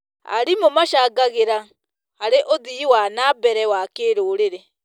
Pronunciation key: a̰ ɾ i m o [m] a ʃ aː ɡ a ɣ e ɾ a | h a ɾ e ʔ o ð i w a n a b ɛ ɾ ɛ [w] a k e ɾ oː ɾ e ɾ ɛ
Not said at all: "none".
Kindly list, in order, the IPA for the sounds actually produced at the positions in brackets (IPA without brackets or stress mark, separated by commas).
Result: m, w